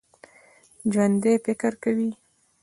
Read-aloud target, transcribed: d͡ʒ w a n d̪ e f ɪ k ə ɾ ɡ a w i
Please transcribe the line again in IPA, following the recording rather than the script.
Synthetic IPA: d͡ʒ w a n d̪ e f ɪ k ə ɾ k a w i